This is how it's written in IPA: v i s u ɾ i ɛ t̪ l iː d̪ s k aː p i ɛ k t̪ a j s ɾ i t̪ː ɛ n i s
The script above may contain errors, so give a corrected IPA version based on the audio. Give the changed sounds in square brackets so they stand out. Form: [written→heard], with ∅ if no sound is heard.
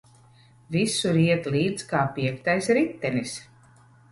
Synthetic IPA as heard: v i s u ɾ i ɛ t̪ l iː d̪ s k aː p i ɛ k t̪ a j s ɾ i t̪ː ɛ n i s